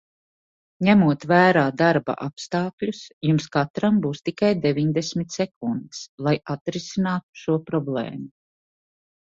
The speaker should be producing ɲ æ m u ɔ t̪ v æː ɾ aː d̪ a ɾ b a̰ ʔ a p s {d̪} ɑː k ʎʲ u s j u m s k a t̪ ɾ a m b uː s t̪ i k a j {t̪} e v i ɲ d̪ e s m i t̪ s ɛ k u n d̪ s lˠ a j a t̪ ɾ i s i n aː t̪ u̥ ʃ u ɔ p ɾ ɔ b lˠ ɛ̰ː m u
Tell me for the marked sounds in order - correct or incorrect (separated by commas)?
incorrect, incorrect